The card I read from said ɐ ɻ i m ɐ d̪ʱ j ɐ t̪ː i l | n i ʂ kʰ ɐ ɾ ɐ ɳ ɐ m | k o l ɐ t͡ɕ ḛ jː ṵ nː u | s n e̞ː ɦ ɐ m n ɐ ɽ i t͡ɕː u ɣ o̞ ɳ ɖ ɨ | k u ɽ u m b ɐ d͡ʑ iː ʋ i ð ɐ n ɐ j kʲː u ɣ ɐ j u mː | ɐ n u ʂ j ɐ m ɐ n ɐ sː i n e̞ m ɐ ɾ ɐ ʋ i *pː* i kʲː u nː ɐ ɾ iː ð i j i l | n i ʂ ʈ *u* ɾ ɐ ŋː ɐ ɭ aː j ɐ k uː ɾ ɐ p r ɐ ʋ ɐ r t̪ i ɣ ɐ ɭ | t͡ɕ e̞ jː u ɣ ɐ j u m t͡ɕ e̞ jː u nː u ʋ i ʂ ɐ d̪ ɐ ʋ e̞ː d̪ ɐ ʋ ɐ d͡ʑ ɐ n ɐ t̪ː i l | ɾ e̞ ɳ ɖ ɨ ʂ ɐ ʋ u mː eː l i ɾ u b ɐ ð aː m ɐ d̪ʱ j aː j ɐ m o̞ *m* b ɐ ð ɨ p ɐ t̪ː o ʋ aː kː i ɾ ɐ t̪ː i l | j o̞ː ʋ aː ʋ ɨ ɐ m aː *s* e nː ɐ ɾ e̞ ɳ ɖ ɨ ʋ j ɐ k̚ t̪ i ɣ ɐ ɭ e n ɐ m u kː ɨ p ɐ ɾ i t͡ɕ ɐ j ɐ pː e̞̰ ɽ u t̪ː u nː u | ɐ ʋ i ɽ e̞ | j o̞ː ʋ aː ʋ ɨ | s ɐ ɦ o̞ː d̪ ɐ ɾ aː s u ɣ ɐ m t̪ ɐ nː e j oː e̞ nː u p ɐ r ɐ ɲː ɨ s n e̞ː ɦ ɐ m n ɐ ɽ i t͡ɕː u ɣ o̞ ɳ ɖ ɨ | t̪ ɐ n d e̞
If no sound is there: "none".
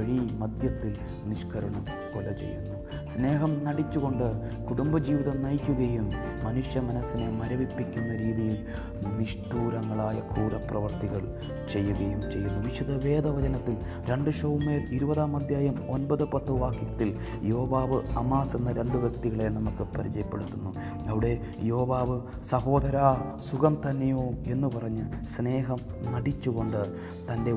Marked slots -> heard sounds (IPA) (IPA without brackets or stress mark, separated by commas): pː, uː, n, s